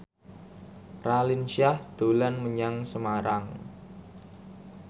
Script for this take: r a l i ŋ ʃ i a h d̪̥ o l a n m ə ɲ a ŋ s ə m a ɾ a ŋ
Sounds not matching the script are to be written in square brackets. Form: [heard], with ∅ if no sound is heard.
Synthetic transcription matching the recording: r a l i [n] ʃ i a h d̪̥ o l a n m ə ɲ a ŋ s ə m a ɾ a ŋ